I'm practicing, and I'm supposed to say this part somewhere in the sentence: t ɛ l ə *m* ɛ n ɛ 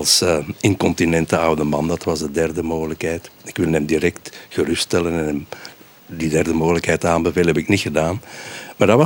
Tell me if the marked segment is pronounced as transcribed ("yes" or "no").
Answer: no